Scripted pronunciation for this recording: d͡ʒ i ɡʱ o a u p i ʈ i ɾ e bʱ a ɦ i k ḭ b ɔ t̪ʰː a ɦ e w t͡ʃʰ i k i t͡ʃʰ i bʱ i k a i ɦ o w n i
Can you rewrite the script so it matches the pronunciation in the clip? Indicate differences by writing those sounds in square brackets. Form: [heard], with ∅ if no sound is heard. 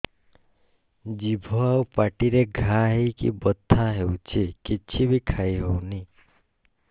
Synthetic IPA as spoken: d͡ʒ i [bʱ] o a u p [a] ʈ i ɾ e [ɡʱ] a ɦ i k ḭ b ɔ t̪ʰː a ɦ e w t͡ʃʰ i k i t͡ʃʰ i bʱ i [kʰ] a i ɦ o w n i